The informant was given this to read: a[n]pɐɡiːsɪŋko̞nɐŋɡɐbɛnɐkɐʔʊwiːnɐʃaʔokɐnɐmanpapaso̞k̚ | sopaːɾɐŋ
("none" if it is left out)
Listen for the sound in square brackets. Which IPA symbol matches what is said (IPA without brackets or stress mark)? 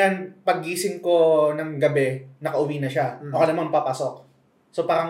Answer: n